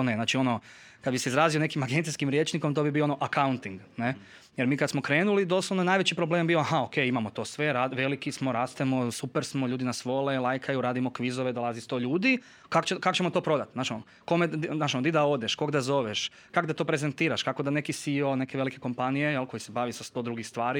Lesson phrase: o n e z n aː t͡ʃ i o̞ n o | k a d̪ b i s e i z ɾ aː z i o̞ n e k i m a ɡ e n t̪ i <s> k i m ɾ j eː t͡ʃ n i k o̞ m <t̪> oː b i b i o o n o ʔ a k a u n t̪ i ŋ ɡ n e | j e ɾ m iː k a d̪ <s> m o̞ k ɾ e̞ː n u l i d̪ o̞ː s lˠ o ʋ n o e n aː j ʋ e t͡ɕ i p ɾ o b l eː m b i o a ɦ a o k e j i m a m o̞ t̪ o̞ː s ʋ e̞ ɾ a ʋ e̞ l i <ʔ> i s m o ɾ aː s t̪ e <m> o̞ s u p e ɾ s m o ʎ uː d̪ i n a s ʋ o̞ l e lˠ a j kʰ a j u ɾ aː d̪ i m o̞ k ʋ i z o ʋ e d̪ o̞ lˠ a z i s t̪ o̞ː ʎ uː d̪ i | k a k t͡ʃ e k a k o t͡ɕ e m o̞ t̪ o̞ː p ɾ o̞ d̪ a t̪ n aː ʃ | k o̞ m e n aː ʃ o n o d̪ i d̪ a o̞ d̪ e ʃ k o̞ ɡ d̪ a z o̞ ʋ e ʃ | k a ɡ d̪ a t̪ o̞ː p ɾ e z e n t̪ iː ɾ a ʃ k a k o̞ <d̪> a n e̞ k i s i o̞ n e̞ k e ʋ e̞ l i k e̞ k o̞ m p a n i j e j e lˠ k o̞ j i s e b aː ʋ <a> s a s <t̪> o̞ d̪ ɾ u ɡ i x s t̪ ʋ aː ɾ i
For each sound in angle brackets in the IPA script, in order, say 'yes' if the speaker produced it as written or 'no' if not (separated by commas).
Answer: yes, yes, yes, no, yes, yes, no, yes